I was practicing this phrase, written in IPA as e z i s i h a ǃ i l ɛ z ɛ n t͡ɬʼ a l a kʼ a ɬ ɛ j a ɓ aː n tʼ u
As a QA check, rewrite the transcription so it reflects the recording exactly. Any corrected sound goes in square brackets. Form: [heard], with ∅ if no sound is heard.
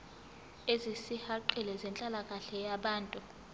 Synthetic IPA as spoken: e z i s i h a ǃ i l ɛ z ɛ n t͡ɬʼ a l a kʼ a ɬ ɛ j a ɓ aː n tʼ u